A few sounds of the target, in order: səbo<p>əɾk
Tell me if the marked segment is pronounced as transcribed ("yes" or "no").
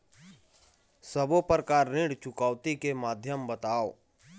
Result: yes